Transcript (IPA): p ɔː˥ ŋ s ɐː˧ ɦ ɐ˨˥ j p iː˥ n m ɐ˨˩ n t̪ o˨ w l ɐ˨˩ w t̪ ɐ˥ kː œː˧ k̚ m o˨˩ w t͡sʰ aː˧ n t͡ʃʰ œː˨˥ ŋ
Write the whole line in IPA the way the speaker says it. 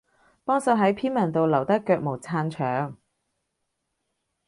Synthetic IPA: p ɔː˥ ŋ s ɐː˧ ɦ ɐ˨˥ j pʰ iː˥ n m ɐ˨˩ n t̪ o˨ w l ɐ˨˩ w t̪ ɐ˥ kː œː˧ k̚ m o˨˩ w t͡sʰ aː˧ n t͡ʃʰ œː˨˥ ŋ